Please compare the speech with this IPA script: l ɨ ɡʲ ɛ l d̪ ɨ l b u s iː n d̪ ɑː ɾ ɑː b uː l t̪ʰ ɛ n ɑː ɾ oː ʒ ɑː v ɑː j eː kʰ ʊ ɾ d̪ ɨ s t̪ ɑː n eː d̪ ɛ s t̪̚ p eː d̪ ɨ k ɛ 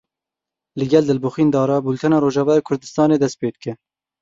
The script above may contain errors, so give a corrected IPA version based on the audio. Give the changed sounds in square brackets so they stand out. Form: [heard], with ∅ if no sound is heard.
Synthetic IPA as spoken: l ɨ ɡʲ ɛ l d̪ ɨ l b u [x] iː n d̪ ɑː ɾ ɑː b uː l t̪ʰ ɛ n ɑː ɾ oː ʒ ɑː v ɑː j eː kʰ ʊ ɾ d̪ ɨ s t̪ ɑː n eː d̪ ɛ s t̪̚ p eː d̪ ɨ k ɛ